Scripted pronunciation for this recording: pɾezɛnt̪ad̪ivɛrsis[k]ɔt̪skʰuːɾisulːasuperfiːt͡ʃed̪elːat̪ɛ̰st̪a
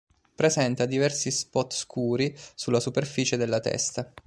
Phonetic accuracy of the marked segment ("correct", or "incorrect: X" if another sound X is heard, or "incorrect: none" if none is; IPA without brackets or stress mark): incorrect: p